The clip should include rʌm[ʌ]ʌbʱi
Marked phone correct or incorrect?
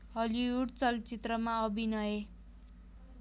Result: incorrect